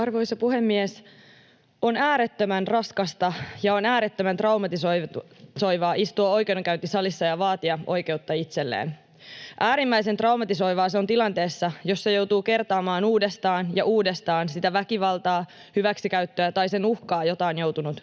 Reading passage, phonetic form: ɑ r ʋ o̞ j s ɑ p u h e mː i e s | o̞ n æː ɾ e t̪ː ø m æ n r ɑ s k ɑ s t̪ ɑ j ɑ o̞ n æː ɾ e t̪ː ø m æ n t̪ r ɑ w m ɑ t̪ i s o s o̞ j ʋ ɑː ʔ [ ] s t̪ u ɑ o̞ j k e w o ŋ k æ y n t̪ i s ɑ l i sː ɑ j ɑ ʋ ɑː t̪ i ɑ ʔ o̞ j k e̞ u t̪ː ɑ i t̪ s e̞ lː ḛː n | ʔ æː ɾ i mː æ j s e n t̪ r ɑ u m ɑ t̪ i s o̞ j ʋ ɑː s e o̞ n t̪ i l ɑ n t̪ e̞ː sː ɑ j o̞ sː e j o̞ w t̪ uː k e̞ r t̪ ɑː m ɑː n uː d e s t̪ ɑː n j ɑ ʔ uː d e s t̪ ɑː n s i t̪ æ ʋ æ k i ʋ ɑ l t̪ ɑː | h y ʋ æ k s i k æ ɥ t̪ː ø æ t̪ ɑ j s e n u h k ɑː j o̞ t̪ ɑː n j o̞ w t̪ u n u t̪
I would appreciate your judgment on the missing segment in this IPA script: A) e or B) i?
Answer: B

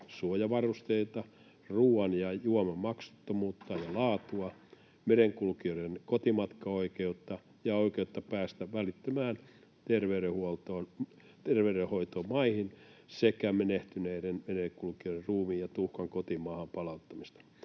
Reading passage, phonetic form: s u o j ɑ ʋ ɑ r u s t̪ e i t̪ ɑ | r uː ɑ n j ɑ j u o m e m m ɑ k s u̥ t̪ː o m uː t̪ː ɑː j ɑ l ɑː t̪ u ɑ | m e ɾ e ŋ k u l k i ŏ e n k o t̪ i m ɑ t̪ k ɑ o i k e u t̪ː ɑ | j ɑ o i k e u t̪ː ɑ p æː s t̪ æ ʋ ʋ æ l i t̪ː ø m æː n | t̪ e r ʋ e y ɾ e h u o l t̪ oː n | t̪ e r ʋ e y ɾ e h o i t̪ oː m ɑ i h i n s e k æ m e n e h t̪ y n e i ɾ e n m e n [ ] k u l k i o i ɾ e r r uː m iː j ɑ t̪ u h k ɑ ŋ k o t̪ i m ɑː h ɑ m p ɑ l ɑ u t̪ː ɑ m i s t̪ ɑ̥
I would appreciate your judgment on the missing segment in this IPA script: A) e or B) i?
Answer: A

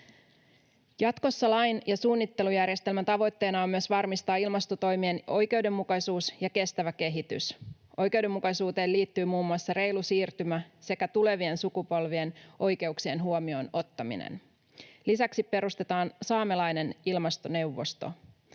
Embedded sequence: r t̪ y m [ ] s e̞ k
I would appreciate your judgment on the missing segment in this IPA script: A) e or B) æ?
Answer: B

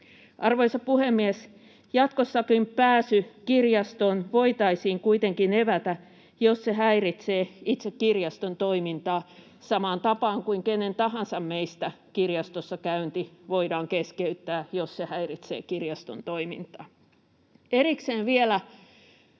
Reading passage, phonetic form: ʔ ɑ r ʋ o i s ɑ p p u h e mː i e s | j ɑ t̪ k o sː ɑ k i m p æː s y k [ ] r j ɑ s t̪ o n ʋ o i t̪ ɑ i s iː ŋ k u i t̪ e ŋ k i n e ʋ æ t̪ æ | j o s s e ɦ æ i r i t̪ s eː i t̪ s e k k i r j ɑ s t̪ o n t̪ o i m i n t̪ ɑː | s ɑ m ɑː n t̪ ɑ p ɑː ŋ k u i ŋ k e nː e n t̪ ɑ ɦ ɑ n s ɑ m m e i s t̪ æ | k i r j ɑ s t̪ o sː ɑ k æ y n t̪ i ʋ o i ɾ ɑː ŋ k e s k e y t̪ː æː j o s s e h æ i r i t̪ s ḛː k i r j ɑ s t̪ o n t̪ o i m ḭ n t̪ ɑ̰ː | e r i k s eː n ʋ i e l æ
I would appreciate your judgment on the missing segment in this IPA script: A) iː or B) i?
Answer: B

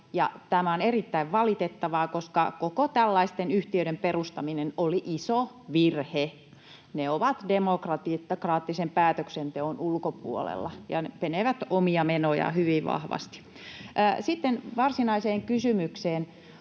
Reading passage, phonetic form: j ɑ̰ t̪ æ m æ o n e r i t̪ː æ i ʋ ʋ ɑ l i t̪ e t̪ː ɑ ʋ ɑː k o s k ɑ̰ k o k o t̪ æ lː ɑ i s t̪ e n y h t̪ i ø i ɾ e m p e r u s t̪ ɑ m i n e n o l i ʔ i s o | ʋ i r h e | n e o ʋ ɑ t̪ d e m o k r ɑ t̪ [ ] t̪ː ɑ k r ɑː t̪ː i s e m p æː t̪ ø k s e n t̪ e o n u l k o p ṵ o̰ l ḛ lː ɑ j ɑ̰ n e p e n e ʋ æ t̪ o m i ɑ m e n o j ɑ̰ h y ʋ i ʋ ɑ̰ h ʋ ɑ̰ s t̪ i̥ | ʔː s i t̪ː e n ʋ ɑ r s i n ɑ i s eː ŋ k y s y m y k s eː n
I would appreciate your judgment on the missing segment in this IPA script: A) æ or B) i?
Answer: B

